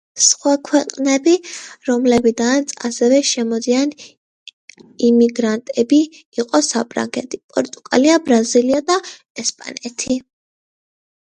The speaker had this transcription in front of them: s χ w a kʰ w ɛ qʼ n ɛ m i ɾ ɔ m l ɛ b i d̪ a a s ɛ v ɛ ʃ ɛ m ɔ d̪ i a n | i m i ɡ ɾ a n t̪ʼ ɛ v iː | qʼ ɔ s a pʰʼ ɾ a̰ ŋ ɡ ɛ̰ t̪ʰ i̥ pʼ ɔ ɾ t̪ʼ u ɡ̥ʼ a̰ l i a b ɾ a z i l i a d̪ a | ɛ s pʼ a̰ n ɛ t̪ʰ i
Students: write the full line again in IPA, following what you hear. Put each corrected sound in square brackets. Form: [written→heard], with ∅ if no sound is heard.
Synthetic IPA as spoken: s χ w a kʰ w ɛ qʼ n ɛ [m→b] i ɾ ɔ m l ɛ b i d̪ a a s ɛ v ɛ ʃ ɛ m ɔ d̪ i a n | i m i ɡ ɾ a n t̪ʼ ɛ [v→b] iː | qʼ ɔ s a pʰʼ ɾ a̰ ŋ ɡ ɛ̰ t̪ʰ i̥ pʼ ɔ ɾ t̪ʼ u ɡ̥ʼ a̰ l i a b ɾ a z i l i a d̪ a | ɛ s pʼ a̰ n ɛ t̪ʰ i